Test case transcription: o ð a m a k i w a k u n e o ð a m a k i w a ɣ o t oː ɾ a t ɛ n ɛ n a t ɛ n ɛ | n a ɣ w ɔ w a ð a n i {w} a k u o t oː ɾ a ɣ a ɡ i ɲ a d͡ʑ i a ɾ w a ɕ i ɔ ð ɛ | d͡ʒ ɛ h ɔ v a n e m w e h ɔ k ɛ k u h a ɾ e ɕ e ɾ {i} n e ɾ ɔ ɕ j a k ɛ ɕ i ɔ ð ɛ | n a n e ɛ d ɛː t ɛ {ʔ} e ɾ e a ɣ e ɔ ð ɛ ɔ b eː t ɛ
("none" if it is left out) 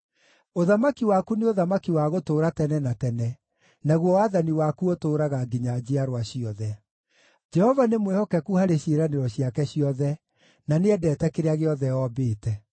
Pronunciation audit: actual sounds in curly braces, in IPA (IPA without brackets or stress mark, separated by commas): w, a, k